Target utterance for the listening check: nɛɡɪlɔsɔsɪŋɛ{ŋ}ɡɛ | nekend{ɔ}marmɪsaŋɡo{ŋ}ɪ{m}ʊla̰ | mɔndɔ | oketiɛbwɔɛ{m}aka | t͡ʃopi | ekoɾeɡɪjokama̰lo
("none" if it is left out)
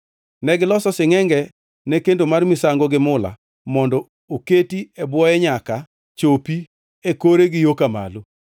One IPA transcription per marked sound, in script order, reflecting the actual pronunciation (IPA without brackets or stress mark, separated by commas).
ŋ, o, ɡ, m, ɲ